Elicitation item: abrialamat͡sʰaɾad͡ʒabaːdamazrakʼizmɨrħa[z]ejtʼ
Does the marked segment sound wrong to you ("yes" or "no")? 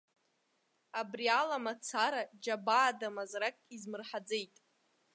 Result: yes